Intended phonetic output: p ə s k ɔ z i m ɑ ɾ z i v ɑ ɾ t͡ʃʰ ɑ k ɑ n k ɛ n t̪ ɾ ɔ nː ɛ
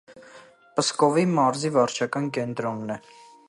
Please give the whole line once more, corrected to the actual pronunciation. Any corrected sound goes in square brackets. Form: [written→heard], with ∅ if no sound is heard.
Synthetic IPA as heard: p ə s k ɔ [z→v] i m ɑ ɾ z i v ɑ ɾ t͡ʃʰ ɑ k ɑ n k ɛ n t̪ ɾ ɔ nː ɛ